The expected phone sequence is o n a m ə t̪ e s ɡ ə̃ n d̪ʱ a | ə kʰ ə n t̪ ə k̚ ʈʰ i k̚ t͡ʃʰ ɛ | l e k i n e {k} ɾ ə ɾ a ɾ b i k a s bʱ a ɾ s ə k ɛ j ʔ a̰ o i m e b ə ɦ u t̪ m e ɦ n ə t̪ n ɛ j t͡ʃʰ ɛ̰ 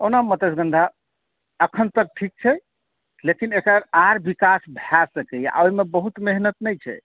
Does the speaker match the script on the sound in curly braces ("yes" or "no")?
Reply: yes